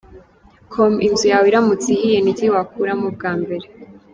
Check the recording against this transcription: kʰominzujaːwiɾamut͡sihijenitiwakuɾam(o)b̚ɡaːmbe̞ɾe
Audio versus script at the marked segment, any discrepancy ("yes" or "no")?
yes